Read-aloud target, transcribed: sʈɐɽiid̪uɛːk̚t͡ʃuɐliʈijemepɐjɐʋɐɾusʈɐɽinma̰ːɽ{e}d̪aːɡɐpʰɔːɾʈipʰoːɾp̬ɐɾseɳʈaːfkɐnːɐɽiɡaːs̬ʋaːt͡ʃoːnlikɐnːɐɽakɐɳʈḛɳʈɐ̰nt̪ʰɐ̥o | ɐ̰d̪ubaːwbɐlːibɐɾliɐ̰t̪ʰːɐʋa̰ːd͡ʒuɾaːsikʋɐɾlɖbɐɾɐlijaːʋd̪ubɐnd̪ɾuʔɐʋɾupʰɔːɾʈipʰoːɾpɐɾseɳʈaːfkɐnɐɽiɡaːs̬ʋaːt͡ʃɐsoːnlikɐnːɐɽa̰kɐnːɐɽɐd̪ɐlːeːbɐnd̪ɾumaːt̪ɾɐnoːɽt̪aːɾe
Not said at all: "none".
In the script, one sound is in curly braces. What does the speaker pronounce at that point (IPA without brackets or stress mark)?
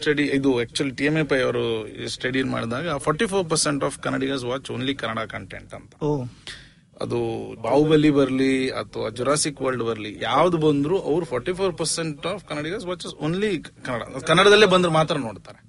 i